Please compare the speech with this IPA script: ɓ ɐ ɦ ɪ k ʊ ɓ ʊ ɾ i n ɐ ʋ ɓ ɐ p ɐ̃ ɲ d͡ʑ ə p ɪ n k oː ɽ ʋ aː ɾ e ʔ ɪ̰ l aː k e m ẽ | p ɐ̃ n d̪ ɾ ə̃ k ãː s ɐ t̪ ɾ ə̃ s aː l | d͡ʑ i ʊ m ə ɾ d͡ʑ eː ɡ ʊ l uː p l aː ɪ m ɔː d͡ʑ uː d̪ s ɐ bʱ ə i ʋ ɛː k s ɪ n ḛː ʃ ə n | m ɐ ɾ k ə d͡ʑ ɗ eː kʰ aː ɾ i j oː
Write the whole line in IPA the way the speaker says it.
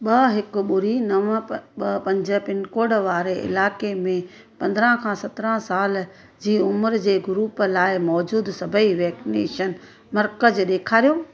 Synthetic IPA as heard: ɓ ɐ ɦ ɪ k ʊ ɓ ʊ ɾ i n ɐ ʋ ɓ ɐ p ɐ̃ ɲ d͡ʑ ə p ɪ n k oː ɽ ʋ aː ɾ e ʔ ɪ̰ l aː k e m ẽ | p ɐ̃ n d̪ ɾ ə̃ kʰ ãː s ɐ t̪ ɾ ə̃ s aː l | d͡ʑ iː ʊ m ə ɾ d͡ʑ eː ɡ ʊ ɾ uː p l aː ɪ m ɔː d͡ʑ uː d̪ s ɐ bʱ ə i ʋ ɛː k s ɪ n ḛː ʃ ə n | m ɐ ɾ k ə d͡ʑ ɗ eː kʰ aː ɾ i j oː